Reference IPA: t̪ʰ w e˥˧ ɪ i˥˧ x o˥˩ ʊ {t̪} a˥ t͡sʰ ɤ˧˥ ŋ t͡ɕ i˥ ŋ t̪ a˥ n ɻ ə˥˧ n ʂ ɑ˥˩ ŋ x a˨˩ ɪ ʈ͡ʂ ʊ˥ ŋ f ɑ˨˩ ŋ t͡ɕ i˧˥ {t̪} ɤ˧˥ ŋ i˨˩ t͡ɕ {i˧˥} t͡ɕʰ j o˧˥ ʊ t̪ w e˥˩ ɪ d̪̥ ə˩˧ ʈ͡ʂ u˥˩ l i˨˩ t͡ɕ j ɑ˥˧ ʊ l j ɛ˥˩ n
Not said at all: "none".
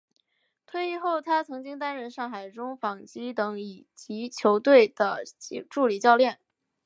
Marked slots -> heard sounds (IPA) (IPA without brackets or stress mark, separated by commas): t̪ʰ, t̪, i˧˥